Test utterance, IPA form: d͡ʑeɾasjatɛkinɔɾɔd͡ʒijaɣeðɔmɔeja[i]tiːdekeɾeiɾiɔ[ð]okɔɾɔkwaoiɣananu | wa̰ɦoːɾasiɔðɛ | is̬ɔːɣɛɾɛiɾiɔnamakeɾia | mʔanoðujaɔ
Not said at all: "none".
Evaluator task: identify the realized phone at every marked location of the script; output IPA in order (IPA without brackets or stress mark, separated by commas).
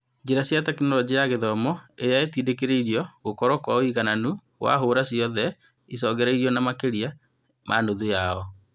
e, ɣ